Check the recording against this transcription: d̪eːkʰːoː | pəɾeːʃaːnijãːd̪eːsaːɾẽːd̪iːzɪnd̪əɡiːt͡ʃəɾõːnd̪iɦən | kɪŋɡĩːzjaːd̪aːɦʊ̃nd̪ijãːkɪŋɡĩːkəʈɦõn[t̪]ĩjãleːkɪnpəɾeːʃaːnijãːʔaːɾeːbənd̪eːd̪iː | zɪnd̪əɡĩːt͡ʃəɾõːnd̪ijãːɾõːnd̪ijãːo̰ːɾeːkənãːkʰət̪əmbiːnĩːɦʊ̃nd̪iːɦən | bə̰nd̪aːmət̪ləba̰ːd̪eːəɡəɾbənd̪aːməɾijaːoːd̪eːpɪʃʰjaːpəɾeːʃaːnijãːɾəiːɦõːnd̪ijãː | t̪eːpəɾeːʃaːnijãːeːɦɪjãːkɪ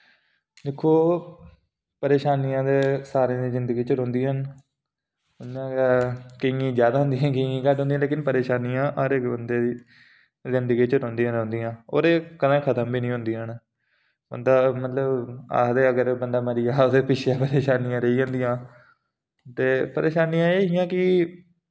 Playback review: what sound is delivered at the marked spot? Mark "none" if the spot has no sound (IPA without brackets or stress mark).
d̪